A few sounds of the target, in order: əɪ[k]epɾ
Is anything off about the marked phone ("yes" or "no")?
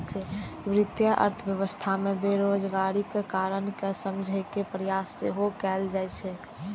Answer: no